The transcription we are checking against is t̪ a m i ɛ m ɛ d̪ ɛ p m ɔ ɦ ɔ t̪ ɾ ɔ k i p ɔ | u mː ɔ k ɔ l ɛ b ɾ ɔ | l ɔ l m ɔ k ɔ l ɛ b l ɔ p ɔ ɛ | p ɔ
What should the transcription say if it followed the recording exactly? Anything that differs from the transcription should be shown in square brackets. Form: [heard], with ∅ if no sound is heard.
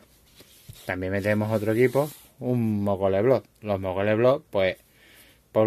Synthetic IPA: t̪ a m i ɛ m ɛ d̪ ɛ [∅] m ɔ ɦ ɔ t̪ ɾ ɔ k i p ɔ | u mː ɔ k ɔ l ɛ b [l] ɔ | l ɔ [∅] m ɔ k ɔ l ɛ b l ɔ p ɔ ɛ | p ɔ